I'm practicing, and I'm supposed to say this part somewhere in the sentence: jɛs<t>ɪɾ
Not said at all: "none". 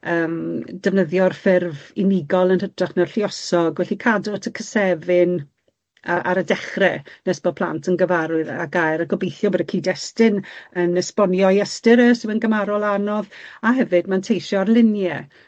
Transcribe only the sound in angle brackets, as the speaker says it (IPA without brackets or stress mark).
t